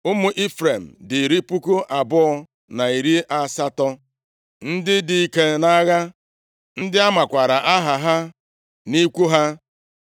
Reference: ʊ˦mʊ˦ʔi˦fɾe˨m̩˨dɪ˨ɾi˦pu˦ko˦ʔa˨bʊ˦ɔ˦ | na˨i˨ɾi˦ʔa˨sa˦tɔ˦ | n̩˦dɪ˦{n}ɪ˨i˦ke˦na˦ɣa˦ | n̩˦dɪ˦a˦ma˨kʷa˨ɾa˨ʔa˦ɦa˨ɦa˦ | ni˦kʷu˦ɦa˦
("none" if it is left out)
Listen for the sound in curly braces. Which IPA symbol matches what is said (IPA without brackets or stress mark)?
d